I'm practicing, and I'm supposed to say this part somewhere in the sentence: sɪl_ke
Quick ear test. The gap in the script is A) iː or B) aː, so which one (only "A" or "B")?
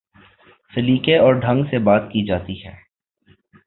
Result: A